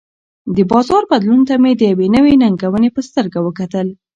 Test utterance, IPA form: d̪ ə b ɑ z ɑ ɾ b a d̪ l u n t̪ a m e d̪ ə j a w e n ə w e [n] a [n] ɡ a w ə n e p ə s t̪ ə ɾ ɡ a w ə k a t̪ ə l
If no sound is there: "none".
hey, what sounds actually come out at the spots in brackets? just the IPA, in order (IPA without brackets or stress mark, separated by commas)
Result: n, ŋ